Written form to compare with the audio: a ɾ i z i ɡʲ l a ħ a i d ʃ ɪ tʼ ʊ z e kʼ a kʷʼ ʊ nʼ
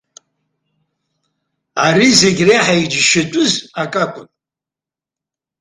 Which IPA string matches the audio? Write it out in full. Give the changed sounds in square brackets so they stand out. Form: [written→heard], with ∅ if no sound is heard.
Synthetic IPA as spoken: a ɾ i z [i→e] ɡʲ [l→r] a ħ a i [d→d͡ʒ] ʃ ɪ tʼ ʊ z [e→a] kʼ a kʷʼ ʊ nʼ